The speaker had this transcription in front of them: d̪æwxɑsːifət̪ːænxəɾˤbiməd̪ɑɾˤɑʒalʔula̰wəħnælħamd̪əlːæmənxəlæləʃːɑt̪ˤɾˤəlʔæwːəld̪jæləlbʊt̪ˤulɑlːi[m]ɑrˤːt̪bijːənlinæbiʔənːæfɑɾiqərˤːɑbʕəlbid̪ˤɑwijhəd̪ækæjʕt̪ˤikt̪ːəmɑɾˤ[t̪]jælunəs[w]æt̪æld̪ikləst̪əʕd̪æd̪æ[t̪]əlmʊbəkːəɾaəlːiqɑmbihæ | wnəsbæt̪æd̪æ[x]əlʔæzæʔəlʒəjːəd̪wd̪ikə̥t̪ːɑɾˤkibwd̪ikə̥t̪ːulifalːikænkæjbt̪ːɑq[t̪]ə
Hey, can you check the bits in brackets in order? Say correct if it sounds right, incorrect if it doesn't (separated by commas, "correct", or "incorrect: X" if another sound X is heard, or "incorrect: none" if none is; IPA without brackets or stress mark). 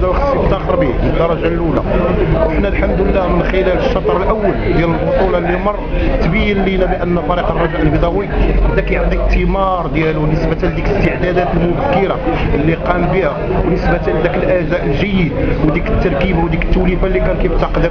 correct, incorrect: d̪, incorrect: b, correct, incorrect: k, incorrect: d̪